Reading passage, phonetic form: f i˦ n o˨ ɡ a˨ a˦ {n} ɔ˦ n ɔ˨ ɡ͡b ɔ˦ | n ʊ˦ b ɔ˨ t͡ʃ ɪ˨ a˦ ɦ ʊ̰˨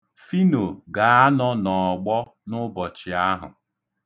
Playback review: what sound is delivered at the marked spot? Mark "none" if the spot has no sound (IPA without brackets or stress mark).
n